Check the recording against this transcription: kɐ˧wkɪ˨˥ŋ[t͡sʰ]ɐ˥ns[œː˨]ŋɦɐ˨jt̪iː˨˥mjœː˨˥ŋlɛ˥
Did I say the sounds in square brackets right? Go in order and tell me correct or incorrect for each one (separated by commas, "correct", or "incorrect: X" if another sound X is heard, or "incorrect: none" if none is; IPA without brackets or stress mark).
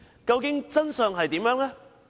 incorrect: t͡s, correct